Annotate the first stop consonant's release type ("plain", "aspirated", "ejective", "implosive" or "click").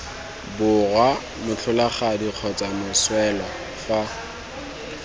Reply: plain